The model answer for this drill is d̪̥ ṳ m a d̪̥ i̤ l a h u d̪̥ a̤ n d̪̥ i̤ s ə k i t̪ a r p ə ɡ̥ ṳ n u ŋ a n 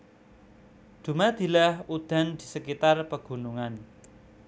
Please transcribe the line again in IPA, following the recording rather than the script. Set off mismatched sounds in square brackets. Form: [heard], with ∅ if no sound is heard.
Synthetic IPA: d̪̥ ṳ m a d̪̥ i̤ l a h u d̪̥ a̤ n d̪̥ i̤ s ə k i t̪ a r p ə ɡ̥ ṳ n u ŋ a n